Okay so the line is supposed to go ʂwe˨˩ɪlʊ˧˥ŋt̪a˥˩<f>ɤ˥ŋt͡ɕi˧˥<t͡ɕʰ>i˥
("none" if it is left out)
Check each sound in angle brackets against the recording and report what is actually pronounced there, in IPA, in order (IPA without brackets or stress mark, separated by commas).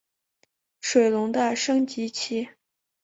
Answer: ʂ, t͡ɕʰ